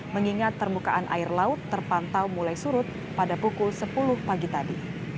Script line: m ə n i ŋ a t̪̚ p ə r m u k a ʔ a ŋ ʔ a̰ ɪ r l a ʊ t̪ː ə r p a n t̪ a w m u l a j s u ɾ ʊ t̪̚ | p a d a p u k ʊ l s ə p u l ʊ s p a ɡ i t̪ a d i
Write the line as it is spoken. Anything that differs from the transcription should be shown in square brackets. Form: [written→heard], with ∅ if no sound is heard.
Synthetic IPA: m ə [n→ŋ] i ŋ a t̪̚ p ə r m u k a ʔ a [ŋ→n] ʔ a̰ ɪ r l a ʊ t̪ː ə r p a n t̪ a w m u l a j s u ɾ ʊ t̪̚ | p a d a p u k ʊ l s ə p u l ʊ [s→h] p a ɡ i t̪ a d i